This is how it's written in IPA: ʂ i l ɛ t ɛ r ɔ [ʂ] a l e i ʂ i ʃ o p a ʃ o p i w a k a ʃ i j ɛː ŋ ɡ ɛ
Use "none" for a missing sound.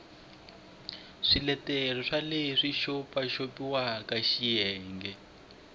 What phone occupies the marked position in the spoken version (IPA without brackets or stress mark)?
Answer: ʂ